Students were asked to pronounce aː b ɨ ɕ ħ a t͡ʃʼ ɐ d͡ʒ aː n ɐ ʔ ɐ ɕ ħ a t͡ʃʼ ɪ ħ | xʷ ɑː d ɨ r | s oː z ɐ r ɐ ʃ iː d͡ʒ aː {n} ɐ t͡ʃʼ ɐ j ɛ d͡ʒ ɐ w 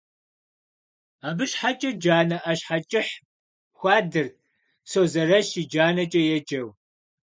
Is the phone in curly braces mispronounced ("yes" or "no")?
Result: no